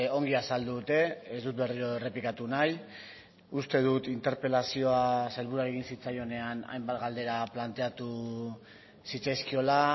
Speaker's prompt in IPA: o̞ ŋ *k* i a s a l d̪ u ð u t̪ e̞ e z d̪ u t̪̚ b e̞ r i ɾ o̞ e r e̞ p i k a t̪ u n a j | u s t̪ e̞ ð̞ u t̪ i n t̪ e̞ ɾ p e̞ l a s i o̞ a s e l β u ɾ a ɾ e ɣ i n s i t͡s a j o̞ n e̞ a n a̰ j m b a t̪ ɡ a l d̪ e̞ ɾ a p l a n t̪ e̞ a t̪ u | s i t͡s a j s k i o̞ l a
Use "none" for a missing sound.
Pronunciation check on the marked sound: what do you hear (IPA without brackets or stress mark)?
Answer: ɡ